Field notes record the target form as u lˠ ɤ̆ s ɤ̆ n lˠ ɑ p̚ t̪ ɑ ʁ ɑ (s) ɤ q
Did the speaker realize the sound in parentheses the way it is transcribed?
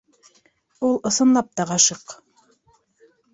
no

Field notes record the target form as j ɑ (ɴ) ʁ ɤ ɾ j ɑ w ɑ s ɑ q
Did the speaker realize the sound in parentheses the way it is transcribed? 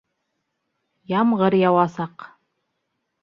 no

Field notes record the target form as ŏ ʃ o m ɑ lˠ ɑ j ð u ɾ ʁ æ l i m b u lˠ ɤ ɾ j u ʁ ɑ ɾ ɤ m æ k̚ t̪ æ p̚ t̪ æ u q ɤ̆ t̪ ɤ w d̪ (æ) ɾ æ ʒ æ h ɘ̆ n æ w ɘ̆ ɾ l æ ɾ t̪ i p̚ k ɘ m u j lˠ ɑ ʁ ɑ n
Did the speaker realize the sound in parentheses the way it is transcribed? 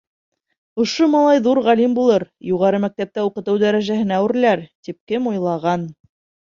yes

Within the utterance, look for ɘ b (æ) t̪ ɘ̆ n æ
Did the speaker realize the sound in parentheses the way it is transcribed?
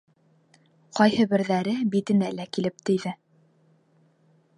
no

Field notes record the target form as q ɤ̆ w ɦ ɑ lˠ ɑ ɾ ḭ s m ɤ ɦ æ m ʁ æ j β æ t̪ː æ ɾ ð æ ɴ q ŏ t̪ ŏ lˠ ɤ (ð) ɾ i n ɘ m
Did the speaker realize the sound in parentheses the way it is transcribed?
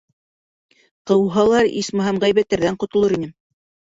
no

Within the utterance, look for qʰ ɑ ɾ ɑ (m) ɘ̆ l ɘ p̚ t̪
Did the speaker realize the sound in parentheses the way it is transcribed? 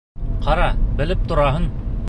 no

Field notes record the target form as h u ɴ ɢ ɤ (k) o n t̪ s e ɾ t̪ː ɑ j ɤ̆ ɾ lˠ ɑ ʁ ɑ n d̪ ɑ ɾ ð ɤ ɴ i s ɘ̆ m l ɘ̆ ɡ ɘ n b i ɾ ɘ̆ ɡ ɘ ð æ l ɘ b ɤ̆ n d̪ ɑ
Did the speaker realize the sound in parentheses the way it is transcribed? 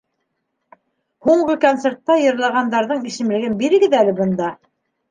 yes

